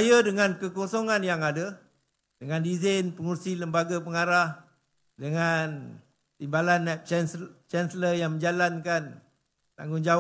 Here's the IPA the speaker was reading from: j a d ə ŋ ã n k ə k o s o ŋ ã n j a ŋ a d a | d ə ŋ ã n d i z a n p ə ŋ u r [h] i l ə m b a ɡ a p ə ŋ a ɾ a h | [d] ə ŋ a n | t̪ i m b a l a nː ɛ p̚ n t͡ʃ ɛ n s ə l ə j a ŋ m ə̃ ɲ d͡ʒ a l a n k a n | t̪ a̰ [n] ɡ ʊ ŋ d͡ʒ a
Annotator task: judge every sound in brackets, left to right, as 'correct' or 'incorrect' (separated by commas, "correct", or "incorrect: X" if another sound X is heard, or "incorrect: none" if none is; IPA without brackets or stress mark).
incorrect: s, correct, incorrect: ŋ